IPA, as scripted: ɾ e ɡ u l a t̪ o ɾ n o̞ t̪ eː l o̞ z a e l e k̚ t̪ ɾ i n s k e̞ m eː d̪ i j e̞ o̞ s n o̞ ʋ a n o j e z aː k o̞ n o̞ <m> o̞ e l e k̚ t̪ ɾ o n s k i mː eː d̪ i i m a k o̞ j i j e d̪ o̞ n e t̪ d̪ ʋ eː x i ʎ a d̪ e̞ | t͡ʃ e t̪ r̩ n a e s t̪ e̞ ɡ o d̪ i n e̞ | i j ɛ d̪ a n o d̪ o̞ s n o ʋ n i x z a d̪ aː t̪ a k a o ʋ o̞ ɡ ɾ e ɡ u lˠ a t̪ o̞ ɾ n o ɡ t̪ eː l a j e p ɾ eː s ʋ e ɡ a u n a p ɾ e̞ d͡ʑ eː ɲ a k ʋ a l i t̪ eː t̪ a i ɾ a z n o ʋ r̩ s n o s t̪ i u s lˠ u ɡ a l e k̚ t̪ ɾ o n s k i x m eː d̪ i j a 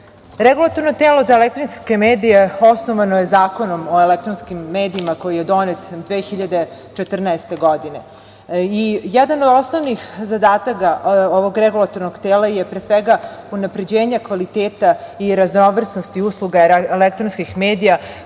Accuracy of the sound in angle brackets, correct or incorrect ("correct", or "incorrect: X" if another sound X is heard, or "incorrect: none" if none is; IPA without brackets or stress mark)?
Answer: correct